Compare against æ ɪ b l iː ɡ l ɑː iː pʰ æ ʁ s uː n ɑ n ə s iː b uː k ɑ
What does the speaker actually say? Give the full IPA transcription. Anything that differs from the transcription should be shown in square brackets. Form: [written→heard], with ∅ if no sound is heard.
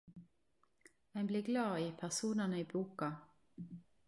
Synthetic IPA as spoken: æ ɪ b l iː ɡ l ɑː iː pʰ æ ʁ s uː n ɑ n ə [s→∅] iː b uː k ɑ